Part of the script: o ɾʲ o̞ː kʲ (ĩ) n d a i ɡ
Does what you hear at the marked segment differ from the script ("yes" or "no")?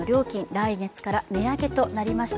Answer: no